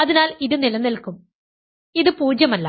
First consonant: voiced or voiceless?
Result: voiced